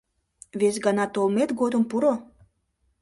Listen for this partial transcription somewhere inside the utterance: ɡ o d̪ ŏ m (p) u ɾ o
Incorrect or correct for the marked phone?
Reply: correct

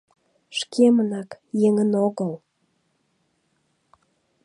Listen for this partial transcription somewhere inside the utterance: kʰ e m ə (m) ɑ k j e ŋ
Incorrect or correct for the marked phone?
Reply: incorrect: n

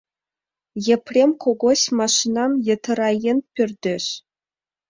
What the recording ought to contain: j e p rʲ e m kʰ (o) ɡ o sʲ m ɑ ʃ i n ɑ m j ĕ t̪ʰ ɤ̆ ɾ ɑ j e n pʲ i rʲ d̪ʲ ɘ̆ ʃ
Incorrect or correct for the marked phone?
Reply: correct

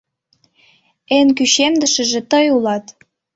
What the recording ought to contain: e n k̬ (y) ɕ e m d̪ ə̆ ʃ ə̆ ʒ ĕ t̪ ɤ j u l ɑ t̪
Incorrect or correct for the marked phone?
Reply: correct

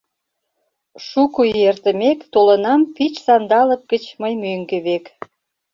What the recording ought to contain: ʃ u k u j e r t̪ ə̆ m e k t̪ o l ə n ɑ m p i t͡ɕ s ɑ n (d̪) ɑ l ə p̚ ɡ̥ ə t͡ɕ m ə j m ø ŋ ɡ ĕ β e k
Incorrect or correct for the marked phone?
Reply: correct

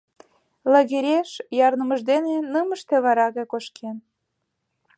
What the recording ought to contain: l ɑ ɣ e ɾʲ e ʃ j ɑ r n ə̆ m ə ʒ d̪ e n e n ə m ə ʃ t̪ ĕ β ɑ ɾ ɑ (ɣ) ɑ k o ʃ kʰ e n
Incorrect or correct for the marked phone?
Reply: correct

